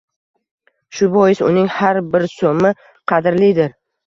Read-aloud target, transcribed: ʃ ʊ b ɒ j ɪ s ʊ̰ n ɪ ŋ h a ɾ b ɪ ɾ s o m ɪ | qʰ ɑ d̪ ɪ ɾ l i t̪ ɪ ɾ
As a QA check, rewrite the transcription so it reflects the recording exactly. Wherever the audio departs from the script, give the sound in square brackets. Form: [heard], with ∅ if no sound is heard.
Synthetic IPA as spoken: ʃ ʊ b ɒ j ɪ s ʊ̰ n ɪ ŋ h a ɾ b ɪ ɾ s o m ɪ | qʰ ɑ d̪ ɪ ɾ l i [d̪] ɪ ɾ

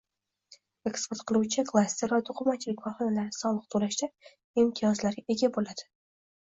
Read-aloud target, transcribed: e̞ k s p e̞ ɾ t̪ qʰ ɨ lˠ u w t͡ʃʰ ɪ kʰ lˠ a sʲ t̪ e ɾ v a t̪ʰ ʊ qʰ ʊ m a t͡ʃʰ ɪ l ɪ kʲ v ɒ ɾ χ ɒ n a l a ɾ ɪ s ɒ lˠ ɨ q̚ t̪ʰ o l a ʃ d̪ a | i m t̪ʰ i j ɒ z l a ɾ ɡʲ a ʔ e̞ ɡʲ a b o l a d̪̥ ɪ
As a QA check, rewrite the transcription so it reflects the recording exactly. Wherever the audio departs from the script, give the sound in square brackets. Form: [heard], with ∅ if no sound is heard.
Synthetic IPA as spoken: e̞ k s p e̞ ɾ t̪ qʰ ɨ lˠ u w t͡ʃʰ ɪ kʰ lˠ a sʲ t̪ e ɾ v a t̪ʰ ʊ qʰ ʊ m a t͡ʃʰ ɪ l ɪ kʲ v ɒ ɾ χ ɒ n a l a ɾ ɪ s ɒ lˠ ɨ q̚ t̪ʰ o l a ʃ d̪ a | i m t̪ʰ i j ɒ z l a ɾ ɡʲ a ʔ e̞ ɡʲ a b o l a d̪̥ ɪ

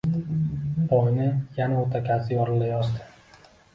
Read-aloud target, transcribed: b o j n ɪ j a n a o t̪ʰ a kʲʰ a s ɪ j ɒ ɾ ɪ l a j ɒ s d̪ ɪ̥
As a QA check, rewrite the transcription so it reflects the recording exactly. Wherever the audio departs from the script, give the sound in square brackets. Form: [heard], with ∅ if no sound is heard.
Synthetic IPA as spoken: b [ɒ] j n ɪ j a n a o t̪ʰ a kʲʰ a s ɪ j ɒ ɾ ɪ l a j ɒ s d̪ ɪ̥

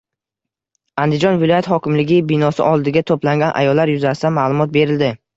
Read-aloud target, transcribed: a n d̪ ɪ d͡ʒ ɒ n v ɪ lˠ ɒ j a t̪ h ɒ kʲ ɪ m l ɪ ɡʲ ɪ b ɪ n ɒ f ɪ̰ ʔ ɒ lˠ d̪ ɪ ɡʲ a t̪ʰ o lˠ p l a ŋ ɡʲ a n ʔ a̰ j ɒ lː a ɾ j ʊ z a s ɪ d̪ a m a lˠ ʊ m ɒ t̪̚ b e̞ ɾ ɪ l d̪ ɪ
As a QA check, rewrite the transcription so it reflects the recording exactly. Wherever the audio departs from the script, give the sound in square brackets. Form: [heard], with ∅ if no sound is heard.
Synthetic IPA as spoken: a n d̪ ɪ d͡ʒ ɒ n v ɪ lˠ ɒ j a t̪ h ɒ kʲ ɪ m l ɪ ɡʲ ɪ b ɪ n ɒ [s] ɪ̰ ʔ ɒ lˠ d̪ ɪ ɡʲ a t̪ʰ o [∅] p l a ŋ ɡʲ a n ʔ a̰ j ɒ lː a ɾ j ʊ z a s ɪ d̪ a m a lˠ ʊ m ɒ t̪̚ b e̞ ɾ ɪ l d̪ ɪ

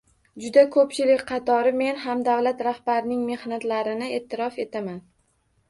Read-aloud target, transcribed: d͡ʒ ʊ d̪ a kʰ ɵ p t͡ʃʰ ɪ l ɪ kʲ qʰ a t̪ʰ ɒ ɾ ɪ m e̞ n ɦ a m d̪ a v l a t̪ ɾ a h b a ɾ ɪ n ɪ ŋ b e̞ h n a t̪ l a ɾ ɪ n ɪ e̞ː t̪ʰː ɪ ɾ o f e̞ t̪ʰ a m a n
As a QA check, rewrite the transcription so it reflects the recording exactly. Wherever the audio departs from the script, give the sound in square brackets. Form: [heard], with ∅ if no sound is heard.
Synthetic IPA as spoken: d͡ʒ ʊ d̪ a kʰ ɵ p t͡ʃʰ ɪ l ɪ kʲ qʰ [ɑ] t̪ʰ ɒ ɾ ɪ m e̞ n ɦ a m d̪ a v l a t̪ ɾ a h b a ɾ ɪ n ɪ ŋ [m] e̞ h n a t̪ l a ɾ ɪ n ɪ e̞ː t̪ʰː ɪ ɾ [ɒ] f e̞ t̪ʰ a m a n

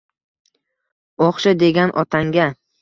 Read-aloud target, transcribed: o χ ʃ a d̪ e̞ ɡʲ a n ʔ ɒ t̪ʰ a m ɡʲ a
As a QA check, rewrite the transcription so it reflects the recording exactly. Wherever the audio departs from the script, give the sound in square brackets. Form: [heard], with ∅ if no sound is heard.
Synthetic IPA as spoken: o χ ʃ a d̪ e̞ ɡʲ a n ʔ ɒ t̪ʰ a [ŋ] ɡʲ a

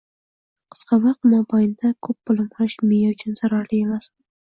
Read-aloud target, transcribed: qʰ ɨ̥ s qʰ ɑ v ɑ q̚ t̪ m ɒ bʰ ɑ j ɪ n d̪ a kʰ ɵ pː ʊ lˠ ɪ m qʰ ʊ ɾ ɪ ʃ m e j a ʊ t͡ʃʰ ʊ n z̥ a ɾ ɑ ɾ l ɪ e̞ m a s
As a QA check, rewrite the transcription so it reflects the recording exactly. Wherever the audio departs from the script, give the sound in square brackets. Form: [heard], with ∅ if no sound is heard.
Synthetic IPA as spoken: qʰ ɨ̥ s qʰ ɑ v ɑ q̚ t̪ m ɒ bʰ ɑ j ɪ n d̪ a kʰ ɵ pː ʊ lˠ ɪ m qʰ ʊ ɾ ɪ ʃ m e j a ʊ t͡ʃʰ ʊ n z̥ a ɾ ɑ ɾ l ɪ e̞ m a s

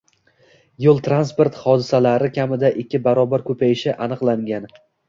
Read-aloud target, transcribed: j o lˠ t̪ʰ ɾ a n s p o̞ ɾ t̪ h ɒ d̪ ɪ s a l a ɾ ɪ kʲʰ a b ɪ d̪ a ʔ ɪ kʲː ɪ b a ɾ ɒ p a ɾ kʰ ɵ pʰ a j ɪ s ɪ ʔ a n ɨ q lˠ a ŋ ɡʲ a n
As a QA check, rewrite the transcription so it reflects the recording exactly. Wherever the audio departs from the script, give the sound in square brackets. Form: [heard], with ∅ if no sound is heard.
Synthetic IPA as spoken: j o lˠ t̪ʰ ɾ a n s p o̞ ɾ t̪ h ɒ d̪ ɪ s a l a ɾ ɪ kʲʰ a [m] ɪ d̪ a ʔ ɪ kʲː ɪ b a ɾ ɒ [b] a ɾ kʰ ɵ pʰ a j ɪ [ʃ] ɪ ʔ a n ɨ q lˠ a ŋ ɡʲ a n

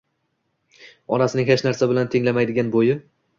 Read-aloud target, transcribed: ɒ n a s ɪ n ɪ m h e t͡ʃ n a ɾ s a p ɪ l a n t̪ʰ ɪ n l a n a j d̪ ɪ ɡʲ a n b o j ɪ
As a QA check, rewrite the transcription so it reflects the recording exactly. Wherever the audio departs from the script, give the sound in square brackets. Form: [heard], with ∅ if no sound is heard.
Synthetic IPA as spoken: ɒ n a s ɪ n ɪ [ŋ] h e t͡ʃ n a ɾ s a [b] ɪ l a n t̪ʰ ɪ [ŋ] l a [m] a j d̪ ɪ ɡʲ a n b o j ɪ

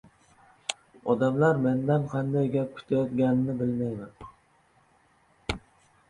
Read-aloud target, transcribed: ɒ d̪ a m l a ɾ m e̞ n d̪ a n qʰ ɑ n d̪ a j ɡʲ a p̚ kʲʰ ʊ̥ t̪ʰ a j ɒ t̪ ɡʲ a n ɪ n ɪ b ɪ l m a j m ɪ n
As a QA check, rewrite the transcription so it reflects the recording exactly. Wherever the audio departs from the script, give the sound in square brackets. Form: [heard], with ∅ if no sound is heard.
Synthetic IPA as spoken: ɒ d̪ a m l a ɾ m e̞ n d̪ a n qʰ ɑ n d̪ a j ɡʲ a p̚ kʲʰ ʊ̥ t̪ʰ a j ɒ t̪ ɡʲ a n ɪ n ɪ b ɪ l m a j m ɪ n

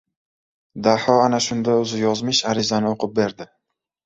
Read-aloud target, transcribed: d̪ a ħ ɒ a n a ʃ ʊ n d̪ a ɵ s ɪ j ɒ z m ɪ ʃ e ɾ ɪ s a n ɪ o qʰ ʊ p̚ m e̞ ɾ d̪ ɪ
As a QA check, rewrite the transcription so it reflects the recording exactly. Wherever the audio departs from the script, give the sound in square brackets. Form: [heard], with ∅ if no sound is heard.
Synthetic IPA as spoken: d̪ a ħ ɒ a n a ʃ ʊ n d̪ a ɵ [z] ɪ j ɒ z m ɪ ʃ [a] ɾ ɪ [z] a n ɪ o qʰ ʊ p̚ [b] e̞ ɾ d̪ ɪ

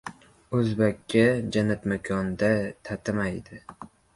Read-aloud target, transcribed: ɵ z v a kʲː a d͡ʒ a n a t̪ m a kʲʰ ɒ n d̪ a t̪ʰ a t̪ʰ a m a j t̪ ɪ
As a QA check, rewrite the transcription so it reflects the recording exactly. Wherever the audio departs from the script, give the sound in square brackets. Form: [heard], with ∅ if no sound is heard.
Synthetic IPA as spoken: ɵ z [b] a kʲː a d͡ʒ a n a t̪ m a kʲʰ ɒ n d̪ a t̪ʰ a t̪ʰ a m a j [d̪] ɪ

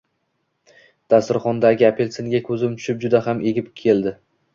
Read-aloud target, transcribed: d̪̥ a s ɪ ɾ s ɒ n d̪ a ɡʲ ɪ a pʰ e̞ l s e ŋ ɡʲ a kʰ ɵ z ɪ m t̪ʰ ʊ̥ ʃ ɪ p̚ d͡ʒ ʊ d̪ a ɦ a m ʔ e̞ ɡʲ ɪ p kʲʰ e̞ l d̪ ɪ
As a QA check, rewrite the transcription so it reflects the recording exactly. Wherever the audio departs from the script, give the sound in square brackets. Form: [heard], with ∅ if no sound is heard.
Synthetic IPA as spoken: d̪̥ a s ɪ ɾ [χ] ɒ n d̪ a ɡʲ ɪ a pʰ e̞ l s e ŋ ɡʲ a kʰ ɵ z ɪ m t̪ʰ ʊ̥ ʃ ɪ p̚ d͡ʒ ʊ d̪ a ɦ a m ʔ e̞ ɡʲ ɪ p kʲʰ e̞ l d̪ ɪ

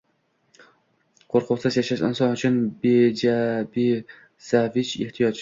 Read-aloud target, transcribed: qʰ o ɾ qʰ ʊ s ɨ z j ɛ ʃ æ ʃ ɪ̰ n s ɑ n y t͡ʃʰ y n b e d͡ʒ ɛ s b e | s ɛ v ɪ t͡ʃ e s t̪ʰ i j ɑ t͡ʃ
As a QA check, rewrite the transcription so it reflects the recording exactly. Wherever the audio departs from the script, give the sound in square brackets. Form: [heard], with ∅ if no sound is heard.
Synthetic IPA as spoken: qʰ o ɾ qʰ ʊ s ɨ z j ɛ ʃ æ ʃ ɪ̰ n s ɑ n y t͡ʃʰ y n b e d͡ʒ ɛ [∅] b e | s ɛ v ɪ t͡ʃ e [h] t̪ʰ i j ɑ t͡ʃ

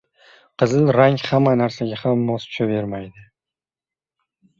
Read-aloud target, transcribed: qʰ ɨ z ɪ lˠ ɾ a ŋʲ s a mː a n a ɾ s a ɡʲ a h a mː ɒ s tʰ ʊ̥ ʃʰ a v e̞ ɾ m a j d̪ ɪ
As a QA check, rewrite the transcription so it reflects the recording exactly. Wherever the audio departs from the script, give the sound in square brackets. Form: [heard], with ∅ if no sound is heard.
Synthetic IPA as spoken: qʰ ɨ z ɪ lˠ ɾ a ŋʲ [h] a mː a n a ɾ s a ɡʲ a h a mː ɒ s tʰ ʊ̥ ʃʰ a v e̞ ɾ m a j d̪ ɪ

